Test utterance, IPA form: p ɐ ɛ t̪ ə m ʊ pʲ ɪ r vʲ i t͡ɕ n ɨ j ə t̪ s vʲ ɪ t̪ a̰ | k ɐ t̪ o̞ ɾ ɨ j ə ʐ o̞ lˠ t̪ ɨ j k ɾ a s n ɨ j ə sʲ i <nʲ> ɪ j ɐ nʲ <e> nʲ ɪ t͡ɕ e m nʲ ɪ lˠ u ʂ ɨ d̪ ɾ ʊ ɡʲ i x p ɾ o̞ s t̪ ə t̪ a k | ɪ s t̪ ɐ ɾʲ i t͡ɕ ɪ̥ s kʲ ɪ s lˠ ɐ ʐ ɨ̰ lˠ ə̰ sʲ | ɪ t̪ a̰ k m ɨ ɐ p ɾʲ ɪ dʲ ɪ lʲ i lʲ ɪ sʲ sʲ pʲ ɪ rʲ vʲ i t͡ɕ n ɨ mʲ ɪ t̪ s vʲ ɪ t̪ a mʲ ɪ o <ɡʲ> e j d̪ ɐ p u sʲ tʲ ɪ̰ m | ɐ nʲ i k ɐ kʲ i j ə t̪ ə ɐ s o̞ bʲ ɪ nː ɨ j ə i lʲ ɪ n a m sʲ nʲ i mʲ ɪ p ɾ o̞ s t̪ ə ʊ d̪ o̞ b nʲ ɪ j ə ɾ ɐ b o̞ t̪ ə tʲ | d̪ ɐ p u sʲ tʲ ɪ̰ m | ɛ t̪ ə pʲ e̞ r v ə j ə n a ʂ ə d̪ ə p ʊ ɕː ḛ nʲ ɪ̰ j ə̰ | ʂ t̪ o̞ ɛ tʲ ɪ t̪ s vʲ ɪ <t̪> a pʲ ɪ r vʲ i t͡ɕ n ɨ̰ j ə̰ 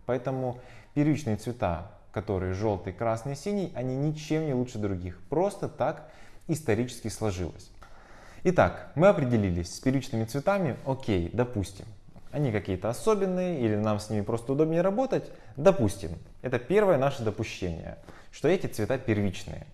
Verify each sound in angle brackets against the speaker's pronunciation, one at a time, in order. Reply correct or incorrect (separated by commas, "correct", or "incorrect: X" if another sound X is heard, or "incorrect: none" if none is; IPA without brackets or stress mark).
correct, incorrect: i, incorrect: kʲ, correct